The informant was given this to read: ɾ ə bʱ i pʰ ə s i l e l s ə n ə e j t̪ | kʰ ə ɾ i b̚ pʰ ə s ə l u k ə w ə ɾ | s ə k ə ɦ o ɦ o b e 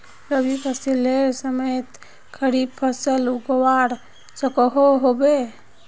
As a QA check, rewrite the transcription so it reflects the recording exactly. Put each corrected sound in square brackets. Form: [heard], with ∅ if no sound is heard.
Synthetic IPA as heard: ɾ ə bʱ i pʰ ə s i l e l s ə [m] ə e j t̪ | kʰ ə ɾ i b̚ pʰ ə s ə l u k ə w [a] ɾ | s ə k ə ɦ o ɦ o b e